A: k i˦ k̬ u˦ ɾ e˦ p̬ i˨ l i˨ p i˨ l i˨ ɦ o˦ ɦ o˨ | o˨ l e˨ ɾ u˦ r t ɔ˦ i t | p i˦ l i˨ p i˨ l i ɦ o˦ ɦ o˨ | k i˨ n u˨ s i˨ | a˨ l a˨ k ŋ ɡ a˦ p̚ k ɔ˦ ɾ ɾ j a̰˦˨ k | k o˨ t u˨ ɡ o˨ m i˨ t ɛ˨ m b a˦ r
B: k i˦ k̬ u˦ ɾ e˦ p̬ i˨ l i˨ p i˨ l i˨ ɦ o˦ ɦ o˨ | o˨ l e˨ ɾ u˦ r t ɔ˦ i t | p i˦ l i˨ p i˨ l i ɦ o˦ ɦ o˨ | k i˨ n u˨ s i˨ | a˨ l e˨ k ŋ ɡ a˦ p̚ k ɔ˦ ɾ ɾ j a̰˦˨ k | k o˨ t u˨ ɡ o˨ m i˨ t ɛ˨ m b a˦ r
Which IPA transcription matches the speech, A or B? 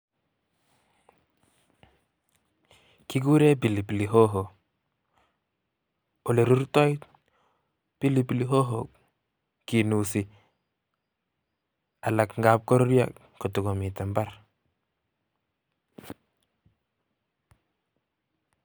A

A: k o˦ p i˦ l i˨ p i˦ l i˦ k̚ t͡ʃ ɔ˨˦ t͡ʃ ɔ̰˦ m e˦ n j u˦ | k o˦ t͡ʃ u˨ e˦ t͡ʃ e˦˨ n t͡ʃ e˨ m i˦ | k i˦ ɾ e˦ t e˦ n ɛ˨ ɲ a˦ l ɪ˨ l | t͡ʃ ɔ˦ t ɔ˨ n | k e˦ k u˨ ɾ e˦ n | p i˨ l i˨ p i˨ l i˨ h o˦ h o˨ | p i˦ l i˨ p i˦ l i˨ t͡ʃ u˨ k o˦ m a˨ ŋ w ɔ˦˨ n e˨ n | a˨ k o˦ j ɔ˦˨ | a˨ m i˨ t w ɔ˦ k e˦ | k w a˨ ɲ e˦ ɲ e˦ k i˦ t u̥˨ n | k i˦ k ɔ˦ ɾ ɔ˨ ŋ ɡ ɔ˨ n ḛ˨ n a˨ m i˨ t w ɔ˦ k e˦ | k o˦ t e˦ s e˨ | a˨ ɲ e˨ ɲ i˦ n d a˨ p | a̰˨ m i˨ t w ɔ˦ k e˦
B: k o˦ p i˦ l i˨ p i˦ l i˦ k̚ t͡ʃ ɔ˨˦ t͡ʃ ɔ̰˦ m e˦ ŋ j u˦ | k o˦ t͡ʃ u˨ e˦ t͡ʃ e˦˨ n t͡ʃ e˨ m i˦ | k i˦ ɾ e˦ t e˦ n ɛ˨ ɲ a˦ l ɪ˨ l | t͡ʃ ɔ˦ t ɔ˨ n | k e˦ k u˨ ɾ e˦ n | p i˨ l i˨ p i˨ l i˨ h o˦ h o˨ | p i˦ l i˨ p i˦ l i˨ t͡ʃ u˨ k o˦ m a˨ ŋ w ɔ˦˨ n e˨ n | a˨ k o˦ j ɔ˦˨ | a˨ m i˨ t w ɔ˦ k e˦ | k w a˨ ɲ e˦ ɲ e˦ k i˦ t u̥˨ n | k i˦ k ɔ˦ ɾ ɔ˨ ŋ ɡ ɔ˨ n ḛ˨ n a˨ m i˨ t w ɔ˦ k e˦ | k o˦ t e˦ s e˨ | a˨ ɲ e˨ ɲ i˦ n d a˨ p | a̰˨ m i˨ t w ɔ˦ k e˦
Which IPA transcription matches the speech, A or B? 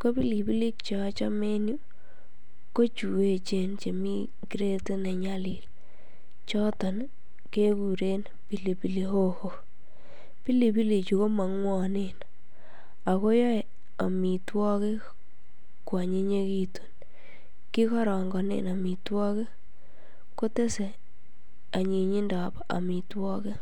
A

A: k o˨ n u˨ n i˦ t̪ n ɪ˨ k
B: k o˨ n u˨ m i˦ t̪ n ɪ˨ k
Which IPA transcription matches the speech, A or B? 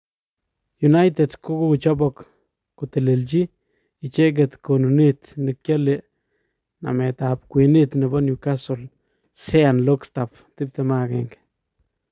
A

